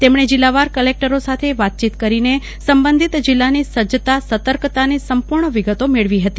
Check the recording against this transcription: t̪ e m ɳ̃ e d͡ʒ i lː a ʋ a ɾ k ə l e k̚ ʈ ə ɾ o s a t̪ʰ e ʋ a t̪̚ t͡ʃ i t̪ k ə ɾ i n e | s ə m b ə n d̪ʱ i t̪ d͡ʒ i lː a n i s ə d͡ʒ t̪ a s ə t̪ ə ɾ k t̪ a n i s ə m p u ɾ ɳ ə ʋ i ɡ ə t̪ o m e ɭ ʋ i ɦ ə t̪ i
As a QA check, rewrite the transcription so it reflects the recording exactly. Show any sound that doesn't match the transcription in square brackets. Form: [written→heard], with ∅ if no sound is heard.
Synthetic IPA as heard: t̪ e m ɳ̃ e d͡ʒ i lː a ʋ a ɾ k ə l e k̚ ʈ ə ɾ o s a t̪ʰ e ʋ a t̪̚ t͡ʃ i t̪ k ə ɾ i n e | s ə m b ə n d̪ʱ i t̪ d͡ʒ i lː a n i s ə d͡ʒ t̪ a s ə t̪ ə ɾ k t̪ a n i s ə m p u ɾ ɳ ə ʋ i ɡ ə t̪ o m e ɭ ʋ i ɦ ə t̪ i